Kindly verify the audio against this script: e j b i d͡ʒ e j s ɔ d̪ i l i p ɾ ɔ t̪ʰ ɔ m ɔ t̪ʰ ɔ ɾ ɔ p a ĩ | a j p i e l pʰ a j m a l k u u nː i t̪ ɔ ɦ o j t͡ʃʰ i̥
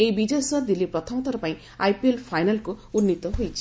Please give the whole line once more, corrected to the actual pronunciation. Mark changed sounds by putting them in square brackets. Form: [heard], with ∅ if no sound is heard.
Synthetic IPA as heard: e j b i d͡ʒ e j s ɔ d̪ i l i p ɾ ɔ t̪ʰ ɔ m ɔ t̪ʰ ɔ ɾ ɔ p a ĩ | a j p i e l pʰ a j [n] a l k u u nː i t̪ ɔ ɦ o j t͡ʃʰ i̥